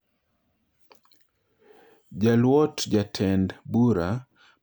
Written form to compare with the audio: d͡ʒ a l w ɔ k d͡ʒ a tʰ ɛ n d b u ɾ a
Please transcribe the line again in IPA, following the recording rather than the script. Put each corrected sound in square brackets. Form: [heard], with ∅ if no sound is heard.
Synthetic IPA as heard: d͡ʒ a l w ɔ [t] d͡ʒ a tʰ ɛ n d b u ɾ a